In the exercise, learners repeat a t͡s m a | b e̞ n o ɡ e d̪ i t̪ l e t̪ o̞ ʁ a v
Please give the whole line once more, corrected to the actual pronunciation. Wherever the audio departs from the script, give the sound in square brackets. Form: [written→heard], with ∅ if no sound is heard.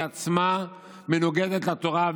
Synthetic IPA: a t͡s m a | [b→m] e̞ n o ɡ e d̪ [i→e] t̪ l [e→a] t̪ o̞ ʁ a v